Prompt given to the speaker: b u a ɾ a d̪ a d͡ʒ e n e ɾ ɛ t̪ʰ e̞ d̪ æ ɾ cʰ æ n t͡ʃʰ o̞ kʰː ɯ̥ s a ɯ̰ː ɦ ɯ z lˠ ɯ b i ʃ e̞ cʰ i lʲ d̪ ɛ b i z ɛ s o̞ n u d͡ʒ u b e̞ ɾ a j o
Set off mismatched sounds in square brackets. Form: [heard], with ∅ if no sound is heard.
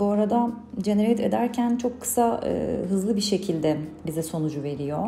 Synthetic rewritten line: b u a ɾ a d̪ a d͡ʒ e n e ɾ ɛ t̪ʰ e̞ d̪ æ ɾ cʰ æ n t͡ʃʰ o̞ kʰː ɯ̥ s a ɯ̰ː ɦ ɯ z lˠ ɯ b i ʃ e̞ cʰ i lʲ d̪ ɛ b i z ɛ s o̞ n u d͡ʒ u [v] e̞ ɾ [i] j o

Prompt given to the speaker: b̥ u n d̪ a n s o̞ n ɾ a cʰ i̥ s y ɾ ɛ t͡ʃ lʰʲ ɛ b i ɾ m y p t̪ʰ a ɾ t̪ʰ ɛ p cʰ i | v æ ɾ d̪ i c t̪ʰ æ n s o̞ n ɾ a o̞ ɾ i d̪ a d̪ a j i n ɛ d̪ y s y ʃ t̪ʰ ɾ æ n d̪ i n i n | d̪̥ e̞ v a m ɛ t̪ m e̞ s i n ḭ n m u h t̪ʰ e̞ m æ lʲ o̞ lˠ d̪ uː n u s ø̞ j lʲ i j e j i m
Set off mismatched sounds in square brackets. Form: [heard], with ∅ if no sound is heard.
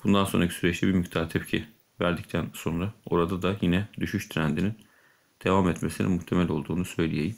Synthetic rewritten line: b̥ u n d̪ a n s o̞ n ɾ a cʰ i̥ s y ɾ ɛ t͡ʃ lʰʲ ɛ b i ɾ m y [c] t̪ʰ a ɾ t̪ʰ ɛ p cʰ i | v æ ɾ d̪ i c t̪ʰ æ n s o̞ n ɾ a o̞ ɾ [a] d̪ a d̪ a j i n ɛ d̪ y [ʃ] y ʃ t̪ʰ ɾ æ n d̪ i n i n | d̪̥ e̞ v a m ɛ t̪ m e̞ s i n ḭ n m u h t̪ʰ e̞ m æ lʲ o̞ lˠ d̪ uː n u s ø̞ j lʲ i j e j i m

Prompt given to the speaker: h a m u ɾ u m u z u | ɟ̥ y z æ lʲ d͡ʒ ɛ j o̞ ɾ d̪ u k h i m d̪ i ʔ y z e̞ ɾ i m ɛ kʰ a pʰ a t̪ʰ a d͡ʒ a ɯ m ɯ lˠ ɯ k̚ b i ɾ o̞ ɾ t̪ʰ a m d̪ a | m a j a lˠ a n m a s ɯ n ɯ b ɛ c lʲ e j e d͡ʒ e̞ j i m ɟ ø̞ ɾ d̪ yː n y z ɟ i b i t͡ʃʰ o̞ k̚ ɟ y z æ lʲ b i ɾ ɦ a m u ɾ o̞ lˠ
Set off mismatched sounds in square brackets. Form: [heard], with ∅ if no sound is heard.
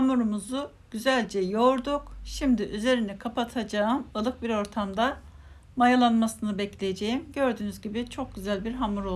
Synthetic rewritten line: h a m u ɾ u m u z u | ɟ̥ y z æ lʲ d͡ʒ ɛ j o̞ ɾ d̪ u k [ʃ] i m d̪ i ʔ y z e̞ ɾ i [n] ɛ kʰ a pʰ a t̪ʰ a d͡ʒ a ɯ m ɯ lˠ ɯ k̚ b i ɾ o̞ ɾ t̪ʰ a m d̪ a | m a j a lˠ a n m a s ɯ n ɯ b ɛ c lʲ e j e d͡ʒ e̞ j i m ɟ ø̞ ɾ d̪ yː n y z ɟ i b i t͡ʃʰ o̞ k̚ ɟ y z æ lʲ b i ɾ ɦ a m u ɾ o̞ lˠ

